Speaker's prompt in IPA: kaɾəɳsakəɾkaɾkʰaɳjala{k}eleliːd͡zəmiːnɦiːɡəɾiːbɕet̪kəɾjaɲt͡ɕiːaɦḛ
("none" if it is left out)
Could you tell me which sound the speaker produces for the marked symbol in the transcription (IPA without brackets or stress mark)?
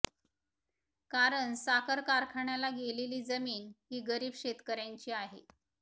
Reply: ɡ